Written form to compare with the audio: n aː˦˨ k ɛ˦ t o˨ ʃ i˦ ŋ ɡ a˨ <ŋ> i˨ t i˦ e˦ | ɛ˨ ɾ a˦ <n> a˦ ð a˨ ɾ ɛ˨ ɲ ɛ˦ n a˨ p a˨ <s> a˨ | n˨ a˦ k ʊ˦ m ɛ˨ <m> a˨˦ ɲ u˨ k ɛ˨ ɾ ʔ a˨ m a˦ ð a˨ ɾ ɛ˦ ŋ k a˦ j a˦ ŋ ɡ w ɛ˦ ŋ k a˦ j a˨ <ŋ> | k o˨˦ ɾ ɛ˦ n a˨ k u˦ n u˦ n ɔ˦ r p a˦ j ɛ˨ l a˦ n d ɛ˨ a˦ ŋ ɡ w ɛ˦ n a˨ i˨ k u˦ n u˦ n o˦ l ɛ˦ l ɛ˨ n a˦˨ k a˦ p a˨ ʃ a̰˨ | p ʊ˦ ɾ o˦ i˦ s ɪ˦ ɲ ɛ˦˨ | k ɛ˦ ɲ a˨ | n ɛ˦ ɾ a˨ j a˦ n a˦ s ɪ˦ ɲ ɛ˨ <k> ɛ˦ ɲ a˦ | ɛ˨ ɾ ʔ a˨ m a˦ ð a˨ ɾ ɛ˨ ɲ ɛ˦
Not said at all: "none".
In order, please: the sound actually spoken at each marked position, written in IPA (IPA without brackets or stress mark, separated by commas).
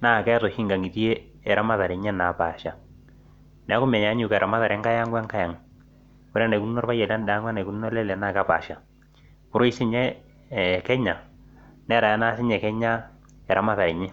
ŋ, m, ʃ, ɲ, ŋ, k